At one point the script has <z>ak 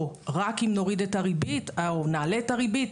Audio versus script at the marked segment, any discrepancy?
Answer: yes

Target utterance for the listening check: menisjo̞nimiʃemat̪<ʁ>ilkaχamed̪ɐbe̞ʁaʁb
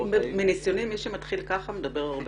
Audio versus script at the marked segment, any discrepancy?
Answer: yes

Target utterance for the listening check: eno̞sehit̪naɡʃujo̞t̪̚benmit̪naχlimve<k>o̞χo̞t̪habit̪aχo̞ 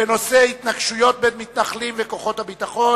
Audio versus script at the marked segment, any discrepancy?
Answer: no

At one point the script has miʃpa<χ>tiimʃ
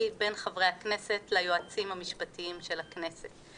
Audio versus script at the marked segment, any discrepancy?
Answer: yes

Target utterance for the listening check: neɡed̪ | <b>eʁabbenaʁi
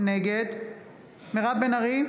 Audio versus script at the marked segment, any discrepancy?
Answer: yes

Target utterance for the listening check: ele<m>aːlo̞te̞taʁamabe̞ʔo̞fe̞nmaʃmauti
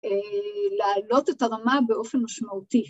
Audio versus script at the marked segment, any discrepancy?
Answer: yes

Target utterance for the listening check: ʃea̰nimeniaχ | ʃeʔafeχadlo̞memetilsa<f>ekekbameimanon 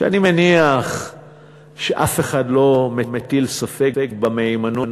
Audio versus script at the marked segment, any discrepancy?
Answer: no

